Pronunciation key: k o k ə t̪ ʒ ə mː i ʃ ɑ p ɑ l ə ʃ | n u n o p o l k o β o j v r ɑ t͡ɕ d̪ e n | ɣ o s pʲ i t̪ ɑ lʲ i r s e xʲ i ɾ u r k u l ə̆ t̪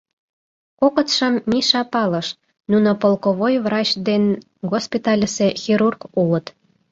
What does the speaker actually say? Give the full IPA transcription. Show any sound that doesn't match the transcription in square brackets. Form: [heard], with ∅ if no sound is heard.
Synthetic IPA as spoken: k o k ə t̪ [ʃ] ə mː i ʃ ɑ p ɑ l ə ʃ | n u n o p o l k o β o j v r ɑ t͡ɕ d̪ e n | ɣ o s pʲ i t̪ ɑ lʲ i [∅] s e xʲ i ɾ u r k u l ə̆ t̪